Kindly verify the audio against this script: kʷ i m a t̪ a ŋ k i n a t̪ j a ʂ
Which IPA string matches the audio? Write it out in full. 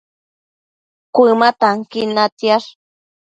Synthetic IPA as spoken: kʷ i m a t̪ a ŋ k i n a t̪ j a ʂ